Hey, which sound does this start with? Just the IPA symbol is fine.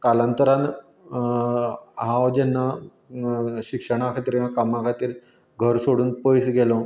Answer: k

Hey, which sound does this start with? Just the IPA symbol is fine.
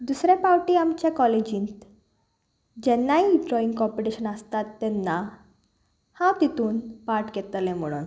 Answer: d̪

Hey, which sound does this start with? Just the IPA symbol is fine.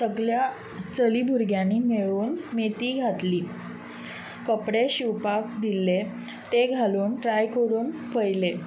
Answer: s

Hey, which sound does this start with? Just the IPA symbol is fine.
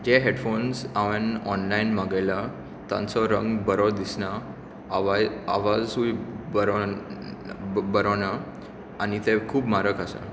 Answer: d͡ʑ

